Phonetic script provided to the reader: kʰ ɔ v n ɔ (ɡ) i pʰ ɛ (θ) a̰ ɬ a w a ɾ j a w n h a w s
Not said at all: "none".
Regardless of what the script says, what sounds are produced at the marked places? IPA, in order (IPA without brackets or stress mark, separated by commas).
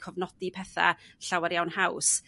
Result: d, θ